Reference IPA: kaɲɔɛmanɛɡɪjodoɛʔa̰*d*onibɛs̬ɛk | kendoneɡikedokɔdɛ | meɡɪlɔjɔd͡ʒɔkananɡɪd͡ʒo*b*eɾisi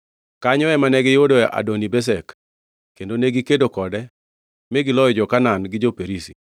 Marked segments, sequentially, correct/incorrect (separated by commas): correct, incorrect